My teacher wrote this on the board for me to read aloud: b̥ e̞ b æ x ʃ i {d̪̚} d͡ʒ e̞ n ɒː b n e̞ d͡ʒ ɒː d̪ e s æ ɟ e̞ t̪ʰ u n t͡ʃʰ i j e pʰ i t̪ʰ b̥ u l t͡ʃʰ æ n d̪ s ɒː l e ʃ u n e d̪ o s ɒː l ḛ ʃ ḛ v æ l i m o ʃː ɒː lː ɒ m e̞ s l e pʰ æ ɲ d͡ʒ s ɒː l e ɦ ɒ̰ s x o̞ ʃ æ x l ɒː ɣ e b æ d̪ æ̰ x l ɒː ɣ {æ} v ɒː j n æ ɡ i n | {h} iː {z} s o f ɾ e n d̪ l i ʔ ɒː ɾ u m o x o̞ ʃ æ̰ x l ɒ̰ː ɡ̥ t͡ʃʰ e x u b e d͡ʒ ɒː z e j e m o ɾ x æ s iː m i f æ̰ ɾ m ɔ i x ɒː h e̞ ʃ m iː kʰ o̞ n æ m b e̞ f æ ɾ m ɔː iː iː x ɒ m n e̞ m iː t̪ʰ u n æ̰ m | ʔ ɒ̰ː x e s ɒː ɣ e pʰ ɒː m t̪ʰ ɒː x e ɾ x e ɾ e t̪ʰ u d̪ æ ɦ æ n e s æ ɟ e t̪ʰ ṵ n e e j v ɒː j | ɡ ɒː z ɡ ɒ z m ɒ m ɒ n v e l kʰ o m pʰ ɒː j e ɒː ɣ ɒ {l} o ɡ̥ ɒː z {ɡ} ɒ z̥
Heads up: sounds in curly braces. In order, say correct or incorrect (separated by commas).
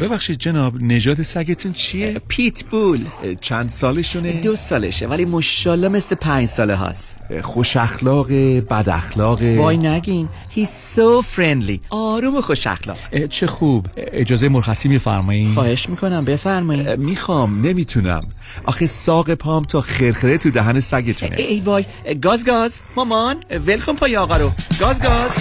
correct, incorrect, correct, correct, incorrect, correct